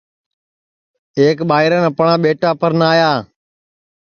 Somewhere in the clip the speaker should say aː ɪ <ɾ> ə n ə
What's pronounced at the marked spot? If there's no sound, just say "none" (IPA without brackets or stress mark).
ɾ